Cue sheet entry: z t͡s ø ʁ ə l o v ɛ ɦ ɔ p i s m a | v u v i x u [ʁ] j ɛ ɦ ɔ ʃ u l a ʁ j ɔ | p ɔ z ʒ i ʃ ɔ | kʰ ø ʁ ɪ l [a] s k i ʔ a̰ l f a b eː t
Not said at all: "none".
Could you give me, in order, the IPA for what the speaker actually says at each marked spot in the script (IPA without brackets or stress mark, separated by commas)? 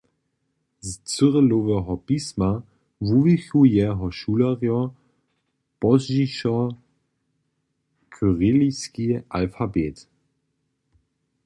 none, i